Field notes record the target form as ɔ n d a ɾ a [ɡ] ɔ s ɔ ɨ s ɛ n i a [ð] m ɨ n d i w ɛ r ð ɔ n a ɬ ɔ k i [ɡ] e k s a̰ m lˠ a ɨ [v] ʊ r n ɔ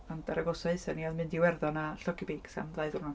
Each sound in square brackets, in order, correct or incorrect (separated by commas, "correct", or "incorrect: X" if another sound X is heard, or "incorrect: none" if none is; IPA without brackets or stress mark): correct, correct, incorrect: b, incorrect: ð